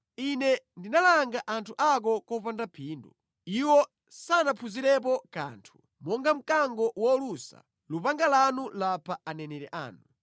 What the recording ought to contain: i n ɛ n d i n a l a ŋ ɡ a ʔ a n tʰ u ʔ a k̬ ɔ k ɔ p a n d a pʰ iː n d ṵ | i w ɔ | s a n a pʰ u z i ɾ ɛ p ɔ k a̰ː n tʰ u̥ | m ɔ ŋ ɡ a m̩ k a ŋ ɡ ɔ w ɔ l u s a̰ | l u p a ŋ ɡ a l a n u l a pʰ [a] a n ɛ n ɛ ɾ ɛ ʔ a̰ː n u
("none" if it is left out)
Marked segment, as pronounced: a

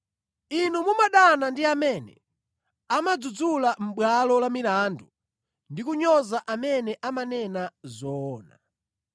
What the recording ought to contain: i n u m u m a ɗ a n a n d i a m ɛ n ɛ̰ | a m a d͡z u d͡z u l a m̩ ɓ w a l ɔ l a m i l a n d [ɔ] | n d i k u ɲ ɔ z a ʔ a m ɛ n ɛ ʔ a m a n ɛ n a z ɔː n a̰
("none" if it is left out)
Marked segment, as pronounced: u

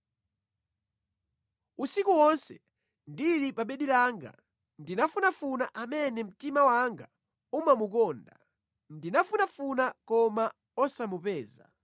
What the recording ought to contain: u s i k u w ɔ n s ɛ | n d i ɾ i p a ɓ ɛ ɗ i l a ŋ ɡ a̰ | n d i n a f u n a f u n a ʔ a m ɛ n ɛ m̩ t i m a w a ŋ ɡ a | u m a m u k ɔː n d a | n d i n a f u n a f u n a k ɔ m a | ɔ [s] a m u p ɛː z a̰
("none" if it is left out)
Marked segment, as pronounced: s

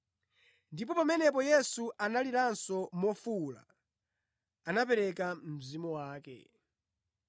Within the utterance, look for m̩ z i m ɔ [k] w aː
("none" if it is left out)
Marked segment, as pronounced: none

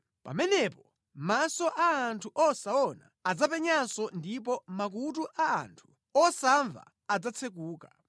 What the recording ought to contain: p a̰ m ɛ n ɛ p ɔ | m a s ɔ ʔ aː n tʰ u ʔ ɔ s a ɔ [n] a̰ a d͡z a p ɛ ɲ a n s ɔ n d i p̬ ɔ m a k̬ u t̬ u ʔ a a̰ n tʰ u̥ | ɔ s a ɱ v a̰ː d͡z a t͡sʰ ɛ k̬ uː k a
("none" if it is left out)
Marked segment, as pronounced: n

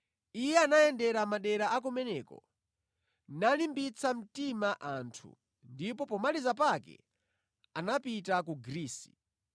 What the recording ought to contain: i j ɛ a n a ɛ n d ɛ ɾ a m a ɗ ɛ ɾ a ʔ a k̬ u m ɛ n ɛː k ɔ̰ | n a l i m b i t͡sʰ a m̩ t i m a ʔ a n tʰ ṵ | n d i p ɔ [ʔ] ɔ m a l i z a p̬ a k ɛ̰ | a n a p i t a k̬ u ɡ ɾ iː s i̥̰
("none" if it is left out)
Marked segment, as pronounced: p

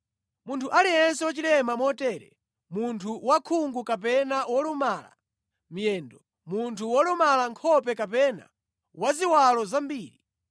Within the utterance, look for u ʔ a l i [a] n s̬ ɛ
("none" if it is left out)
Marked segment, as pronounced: ɛ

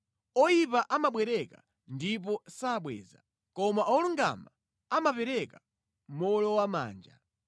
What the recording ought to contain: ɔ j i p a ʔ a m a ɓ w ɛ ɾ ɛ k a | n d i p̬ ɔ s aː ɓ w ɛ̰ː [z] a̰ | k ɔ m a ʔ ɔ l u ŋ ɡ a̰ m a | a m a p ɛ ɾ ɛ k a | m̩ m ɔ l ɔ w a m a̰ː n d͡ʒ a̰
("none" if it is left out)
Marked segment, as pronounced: z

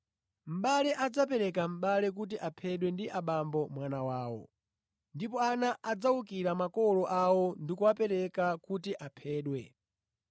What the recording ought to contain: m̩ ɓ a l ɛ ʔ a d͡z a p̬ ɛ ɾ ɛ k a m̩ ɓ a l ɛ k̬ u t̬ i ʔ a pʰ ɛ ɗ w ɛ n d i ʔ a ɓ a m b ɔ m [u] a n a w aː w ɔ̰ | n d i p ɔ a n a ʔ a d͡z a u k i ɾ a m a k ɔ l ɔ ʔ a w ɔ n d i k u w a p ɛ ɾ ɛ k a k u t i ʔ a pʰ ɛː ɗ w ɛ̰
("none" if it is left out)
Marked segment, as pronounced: w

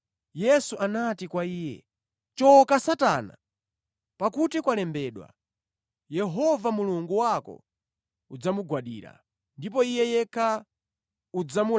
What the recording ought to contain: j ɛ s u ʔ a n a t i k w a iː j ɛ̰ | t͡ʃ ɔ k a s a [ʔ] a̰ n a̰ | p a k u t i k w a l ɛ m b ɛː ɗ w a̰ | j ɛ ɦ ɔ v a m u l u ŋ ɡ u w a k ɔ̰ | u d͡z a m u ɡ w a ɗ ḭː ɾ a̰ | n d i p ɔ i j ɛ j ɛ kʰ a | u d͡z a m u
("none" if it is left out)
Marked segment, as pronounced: t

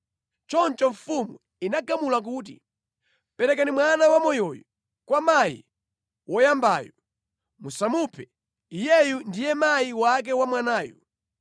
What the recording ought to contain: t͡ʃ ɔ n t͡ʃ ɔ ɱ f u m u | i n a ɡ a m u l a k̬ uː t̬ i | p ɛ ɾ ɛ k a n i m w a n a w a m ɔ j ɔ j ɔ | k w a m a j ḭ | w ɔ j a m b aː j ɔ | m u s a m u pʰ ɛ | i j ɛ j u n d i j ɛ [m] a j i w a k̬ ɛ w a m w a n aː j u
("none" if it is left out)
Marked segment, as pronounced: m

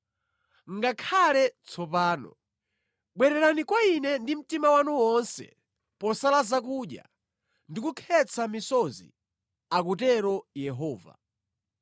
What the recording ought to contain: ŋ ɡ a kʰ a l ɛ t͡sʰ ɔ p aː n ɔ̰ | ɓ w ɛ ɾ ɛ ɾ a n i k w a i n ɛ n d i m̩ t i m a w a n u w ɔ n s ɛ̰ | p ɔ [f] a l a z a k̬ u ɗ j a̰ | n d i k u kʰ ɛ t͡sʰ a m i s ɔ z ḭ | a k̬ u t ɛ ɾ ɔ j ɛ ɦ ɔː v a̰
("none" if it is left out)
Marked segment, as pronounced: s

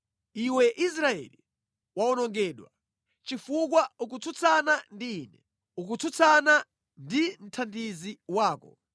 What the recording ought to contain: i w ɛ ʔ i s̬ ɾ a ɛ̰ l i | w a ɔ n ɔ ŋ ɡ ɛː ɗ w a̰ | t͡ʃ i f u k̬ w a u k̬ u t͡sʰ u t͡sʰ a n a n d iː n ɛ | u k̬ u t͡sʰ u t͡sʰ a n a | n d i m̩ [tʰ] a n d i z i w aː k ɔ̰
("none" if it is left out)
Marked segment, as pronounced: tʰ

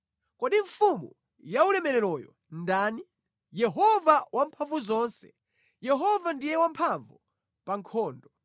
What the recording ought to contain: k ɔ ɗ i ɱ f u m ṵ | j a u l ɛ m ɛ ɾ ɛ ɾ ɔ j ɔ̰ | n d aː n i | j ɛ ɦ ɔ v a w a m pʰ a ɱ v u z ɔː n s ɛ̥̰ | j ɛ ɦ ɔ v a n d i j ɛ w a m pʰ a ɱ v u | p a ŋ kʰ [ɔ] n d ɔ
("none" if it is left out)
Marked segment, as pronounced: ɔː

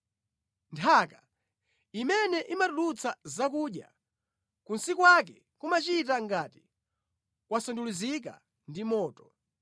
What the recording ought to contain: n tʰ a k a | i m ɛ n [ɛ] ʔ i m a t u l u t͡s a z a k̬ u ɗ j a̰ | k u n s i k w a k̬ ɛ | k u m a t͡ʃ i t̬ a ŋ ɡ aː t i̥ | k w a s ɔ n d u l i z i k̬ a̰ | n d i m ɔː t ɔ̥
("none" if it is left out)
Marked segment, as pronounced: ɛ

